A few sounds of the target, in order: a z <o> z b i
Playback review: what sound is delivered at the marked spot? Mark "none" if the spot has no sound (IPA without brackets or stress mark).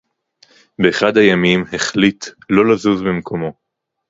u